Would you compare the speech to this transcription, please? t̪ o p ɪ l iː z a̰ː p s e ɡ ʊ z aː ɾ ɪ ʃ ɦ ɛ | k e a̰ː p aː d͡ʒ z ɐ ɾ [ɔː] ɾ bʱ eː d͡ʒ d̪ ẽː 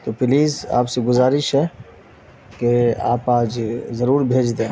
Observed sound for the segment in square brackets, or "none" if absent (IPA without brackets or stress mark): uː